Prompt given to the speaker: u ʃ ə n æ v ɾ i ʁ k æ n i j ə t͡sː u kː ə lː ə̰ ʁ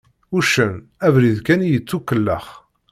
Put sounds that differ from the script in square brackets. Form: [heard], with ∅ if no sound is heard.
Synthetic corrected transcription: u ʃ ə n æ v ɾ i [ð] k æ n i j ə t͡sː u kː ə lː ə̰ [χ]